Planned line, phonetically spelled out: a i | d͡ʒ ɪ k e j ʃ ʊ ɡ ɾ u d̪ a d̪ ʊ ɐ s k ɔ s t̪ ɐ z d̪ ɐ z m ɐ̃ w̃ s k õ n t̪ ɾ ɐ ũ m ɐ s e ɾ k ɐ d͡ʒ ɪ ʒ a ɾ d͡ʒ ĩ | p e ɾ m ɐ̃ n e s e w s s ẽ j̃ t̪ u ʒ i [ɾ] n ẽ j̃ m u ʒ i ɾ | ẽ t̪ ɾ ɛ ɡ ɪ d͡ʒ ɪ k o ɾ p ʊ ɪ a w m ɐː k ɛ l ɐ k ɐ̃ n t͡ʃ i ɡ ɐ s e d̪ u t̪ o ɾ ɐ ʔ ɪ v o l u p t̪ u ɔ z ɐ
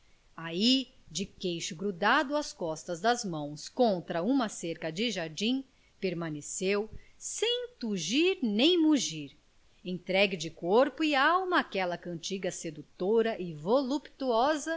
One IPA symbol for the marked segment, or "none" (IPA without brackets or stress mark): ɾ